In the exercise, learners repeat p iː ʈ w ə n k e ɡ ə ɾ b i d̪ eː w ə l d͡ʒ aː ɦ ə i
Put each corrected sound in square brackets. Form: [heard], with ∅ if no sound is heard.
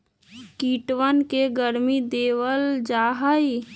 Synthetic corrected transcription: [k] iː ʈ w ə n k e ɡ ə ɾ [m] i d̪ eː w ə l d͡ʒ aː ɦ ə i